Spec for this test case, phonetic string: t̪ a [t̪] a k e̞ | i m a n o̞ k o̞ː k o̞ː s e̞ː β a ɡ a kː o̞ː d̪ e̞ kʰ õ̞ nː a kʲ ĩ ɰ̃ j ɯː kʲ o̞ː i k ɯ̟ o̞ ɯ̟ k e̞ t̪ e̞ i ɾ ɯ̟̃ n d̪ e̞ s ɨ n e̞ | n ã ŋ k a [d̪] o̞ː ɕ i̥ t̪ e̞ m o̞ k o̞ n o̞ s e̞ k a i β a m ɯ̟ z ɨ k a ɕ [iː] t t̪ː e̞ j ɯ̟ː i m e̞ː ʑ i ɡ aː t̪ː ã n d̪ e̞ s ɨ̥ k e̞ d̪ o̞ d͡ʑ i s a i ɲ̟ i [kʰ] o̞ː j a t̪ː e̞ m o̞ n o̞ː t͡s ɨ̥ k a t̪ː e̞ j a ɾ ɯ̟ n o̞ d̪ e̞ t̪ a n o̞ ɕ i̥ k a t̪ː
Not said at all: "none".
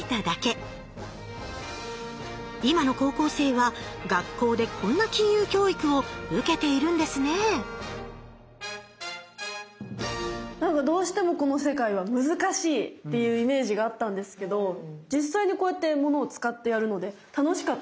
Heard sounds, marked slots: d̪, d̪, iː, k

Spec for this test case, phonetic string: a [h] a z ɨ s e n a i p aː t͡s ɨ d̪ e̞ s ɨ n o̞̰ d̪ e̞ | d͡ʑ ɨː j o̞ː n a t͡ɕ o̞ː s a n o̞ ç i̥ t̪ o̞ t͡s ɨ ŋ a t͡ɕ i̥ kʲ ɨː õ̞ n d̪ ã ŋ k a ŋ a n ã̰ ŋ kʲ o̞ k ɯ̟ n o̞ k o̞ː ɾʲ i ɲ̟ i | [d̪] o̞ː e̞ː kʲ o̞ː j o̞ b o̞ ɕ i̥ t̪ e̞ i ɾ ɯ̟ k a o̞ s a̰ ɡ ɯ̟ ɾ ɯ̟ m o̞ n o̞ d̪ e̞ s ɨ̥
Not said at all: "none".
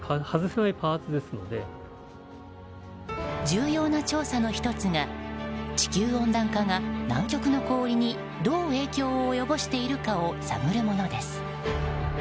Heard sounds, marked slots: h, d̪

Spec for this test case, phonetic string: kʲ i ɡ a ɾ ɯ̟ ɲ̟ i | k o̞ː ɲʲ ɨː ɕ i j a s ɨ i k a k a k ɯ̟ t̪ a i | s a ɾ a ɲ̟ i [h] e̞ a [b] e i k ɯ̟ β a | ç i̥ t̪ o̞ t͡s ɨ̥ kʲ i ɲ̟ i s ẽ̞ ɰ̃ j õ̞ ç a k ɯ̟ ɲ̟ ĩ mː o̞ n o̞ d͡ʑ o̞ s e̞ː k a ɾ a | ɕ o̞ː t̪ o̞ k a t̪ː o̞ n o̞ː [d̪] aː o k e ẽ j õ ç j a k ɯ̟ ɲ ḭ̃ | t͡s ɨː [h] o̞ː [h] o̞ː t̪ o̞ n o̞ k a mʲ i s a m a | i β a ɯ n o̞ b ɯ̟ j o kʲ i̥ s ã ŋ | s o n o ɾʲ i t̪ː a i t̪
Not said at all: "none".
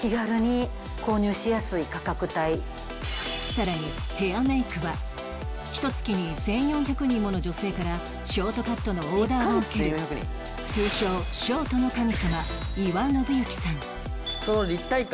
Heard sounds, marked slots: h, m, d̪, ɕ, ɕ

